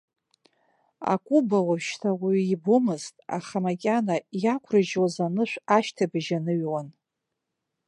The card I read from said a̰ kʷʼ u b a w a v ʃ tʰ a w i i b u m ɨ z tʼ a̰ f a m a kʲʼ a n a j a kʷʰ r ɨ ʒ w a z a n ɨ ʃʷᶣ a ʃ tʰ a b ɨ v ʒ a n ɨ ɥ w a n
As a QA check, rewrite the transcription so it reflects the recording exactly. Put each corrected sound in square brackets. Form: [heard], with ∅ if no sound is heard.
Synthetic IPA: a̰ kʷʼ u b a w a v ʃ tʰ a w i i b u m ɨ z tʼ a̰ [χ] a m a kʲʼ a n a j a kʷʰ r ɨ ʒ w a z a n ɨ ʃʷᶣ a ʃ tʰ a b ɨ [∅] ʒ a n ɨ ɥ w a n